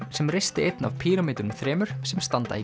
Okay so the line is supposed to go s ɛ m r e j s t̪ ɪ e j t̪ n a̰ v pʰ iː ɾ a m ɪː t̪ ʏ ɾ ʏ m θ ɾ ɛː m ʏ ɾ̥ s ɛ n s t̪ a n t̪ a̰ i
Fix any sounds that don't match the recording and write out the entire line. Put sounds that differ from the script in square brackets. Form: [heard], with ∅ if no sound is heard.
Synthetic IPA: s ɛ m r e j s t̪ ɪ e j t̪ n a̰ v pʰ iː ɾ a m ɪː t̪ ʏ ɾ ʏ m θ ɾ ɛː m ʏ ɾ̥ s ɛ [m] s t̪ a n t̪ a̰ i